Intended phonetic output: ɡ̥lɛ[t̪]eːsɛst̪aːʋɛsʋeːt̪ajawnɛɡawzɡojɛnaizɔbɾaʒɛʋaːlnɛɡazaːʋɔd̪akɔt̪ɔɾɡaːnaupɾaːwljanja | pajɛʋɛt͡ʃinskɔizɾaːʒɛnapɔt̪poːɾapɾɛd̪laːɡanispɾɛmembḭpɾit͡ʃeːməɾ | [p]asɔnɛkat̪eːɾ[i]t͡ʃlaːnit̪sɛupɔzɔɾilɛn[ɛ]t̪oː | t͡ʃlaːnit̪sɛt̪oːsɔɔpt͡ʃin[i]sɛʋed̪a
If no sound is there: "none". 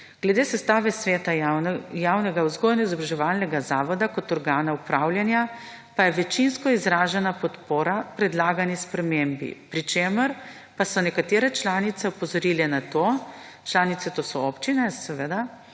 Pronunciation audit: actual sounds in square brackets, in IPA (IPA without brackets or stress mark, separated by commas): d̪, p, ɛ, a, ɛ